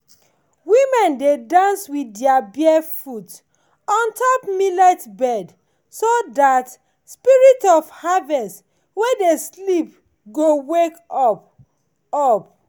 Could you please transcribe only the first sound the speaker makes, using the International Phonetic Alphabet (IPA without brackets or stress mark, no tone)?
w